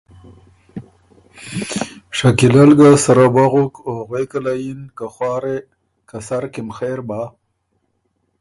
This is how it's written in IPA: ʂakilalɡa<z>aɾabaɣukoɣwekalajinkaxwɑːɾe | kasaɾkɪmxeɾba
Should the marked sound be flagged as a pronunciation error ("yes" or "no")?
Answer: yes